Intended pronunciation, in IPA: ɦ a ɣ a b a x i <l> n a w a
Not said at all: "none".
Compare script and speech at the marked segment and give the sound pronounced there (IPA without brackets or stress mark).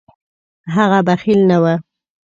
l